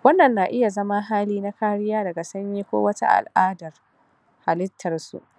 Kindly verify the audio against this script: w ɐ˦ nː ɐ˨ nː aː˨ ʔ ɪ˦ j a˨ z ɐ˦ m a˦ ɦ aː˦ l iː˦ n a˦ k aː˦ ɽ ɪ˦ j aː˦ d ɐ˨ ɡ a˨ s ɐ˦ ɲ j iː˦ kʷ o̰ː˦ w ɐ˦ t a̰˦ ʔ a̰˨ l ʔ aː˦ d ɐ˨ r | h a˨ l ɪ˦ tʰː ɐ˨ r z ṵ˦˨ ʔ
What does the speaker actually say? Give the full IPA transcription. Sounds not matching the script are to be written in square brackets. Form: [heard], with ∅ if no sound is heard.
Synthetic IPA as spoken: w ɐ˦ nː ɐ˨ nː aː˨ ʔ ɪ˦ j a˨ z ɐ˦ m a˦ ɦ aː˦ l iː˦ n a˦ k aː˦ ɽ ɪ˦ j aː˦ d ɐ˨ ɡ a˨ s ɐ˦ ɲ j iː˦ kʷ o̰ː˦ w ɐ˦ t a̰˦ ʔ a̰˨ l ʔ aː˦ d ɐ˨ r | h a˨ l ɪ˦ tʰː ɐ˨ r [s] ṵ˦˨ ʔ